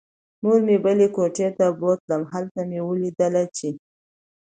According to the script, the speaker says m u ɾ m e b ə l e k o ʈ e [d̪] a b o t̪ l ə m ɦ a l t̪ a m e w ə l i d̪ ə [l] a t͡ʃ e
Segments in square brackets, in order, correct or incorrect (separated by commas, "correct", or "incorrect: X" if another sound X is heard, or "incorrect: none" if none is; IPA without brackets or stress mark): incorrect: t̪, correct